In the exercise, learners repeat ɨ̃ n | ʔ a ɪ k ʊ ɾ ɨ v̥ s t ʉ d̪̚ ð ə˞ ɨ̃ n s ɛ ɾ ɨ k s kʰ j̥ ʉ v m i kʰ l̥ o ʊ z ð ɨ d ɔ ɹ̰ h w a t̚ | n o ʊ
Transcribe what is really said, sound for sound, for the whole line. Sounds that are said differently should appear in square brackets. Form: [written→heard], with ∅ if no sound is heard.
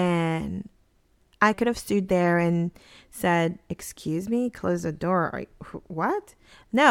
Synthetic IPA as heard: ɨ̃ n | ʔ a ɪ k ʊ ɾ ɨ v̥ s t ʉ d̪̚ ð ə˞ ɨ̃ n s ɛ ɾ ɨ k s kʰ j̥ ʉ [v→z] m i kʰ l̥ o ʊ z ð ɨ d ɔ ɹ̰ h w [a→ʌ] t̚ | n o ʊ